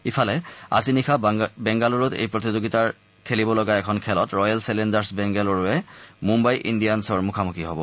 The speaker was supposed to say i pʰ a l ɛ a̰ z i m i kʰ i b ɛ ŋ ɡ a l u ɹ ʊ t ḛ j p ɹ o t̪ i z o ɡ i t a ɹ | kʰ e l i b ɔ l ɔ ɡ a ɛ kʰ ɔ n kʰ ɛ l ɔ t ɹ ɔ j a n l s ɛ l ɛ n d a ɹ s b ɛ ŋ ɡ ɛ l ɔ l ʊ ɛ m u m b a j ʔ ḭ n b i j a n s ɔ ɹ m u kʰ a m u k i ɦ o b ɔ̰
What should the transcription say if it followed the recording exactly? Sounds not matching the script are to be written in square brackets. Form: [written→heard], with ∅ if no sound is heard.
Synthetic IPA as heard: i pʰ a l ɛ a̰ z i [m→n] i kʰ [i→a] b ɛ ŋ ɡ a l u ɹ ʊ t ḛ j p ɹ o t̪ i z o ɡ i t a ɹ | kʰ e l i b ɔ l ɔ ɡ a ɛ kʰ ɔ n kʰ ɛ l ɔ t ɹ ɔ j a [n→∅] l s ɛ l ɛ n d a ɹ s b ɛ ŋ ɡ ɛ l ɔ [l→ɹ] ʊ ɛ m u m b a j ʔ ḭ n [b→d] i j a n s ɔ ɹ m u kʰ a m u k i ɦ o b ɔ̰